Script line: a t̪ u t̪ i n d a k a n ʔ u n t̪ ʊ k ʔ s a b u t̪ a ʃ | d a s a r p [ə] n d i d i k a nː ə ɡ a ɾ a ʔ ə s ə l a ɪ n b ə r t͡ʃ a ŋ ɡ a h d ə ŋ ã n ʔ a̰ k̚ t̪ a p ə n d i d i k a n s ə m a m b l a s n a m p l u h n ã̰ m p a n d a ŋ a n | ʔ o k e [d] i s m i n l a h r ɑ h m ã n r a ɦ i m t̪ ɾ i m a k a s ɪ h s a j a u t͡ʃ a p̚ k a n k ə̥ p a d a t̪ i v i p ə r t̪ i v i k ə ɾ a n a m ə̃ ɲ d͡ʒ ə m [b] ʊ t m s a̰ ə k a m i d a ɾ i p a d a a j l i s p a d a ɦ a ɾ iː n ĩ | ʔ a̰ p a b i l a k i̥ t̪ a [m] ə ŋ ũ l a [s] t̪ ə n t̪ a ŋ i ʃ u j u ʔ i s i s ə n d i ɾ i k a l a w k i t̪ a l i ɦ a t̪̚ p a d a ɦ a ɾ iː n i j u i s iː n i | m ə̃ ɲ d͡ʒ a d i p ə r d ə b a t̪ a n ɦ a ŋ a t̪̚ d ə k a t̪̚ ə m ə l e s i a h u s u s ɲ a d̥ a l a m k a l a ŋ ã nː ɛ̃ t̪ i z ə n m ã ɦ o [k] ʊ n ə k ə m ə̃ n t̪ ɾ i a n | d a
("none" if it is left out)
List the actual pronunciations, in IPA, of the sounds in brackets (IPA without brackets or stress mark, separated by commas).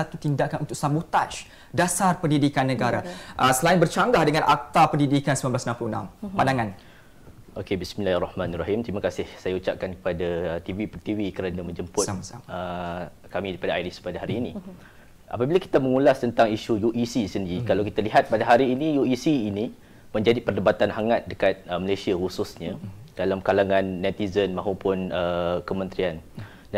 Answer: ə, b, p, m, s, p